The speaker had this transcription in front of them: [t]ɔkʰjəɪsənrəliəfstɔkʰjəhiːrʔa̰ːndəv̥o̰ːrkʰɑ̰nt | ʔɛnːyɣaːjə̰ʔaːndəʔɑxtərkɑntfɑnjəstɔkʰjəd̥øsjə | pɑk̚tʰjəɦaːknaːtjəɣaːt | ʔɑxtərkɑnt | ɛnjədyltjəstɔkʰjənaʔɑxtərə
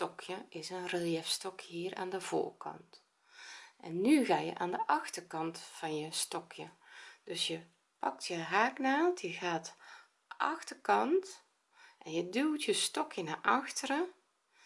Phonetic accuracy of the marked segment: correct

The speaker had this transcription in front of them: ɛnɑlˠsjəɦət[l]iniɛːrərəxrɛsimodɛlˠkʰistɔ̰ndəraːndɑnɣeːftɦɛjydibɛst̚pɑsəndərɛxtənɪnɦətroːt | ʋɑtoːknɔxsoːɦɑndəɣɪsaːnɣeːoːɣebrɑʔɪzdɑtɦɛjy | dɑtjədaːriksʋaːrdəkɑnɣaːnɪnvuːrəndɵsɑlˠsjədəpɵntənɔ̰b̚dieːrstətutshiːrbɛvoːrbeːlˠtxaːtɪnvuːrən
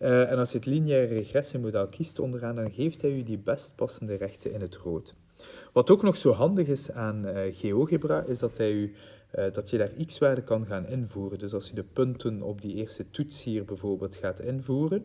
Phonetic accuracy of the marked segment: correct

